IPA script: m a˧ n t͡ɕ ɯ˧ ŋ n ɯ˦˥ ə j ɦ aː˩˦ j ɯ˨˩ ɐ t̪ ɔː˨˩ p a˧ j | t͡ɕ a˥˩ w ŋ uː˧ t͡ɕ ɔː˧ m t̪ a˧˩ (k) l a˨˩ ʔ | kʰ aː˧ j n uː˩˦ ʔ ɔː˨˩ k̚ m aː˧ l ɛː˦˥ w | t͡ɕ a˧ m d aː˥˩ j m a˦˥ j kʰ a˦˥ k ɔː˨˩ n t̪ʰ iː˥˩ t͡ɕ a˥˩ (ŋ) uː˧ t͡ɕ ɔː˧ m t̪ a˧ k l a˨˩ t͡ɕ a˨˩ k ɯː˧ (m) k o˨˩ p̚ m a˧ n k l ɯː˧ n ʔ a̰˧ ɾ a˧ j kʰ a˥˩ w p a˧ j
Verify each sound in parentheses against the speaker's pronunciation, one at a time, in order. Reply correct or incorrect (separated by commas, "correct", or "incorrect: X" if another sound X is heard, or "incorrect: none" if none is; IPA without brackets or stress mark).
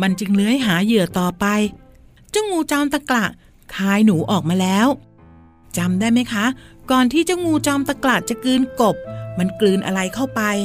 correct, correct, incorrect: n